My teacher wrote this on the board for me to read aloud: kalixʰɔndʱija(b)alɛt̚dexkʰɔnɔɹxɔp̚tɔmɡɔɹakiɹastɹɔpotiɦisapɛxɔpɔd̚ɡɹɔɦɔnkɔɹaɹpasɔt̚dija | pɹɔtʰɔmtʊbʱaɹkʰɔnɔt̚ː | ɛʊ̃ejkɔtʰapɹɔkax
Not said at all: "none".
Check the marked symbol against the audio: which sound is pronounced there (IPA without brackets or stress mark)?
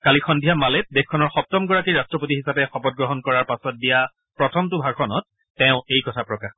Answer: m